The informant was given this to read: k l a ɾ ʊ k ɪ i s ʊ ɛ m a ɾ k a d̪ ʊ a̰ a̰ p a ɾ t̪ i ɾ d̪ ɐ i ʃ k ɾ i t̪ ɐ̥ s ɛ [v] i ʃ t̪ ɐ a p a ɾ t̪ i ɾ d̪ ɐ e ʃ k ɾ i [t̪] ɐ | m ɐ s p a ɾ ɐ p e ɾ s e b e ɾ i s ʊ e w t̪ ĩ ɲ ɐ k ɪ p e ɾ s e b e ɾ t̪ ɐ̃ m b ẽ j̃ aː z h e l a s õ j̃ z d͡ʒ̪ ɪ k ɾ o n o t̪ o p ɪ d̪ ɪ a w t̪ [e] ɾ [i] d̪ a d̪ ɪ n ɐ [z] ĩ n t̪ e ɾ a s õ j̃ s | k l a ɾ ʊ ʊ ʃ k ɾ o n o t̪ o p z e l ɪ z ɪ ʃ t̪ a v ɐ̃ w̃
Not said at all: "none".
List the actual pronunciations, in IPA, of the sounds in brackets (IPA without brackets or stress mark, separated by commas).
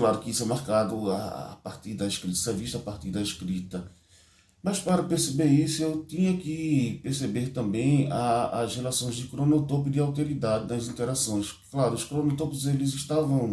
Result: v, t̪, e, i, z